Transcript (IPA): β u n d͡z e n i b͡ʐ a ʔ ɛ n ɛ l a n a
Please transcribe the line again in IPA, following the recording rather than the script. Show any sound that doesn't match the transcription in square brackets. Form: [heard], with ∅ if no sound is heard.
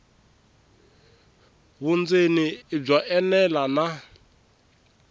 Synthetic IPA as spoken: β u n d͡z e n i b͡ʐ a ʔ ɛ n ɛ l a n a